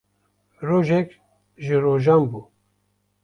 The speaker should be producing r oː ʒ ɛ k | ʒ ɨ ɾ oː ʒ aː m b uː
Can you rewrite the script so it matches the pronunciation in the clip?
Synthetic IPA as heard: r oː ʒ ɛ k | ʒ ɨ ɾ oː ʒ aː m b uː